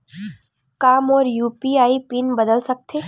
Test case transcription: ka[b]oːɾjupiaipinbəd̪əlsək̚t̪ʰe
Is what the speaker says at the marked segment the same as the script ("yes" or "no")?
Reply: no